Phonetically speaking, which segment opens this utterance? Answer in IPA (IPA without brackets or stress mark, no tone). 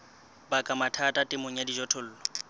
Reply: b